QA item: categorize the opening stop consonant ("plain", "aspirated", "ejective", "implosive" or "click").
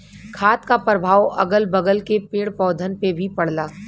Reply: aspirated